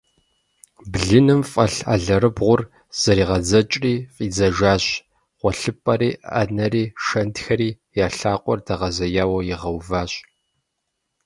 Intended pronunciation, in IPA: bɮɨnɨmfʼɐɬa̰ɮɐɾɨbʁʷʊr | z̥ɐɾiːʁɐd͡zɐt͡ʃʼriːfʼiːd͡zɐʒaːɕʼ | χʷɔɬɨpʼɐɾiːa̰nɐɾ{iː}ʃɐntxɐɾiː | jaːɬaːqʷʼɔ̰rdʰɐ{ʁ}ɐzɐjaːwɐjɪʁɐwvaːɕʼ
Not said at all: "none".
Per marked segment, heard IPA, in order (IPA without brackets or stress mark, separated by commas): iː, ʁ